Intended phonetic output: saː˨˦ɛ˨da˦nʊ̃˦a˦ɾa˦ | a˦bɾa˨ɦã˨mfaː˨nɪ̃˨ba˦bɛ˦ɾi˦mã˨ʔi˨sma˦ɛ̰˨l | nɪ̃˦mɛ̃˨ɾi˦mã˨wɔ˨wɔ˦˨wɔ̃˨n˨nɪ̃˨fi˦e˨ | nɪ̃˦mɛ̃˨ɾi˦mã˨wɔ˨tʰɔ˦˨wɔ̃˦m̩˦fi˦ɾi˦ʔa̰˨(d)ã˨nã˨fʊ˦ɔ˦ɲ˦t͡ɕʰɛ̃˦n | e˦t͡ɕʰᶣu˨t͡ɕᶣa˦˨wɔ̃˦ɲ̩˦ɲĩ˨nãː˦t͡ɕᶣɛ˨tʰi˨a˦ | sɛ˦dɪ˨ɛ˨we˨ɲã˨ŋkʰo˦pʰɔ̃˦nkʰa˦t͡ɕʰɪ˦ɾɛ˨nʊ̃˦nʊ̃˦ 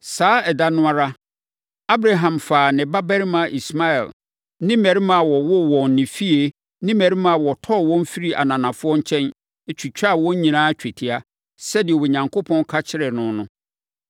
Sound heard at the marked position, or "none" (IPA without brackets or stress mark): n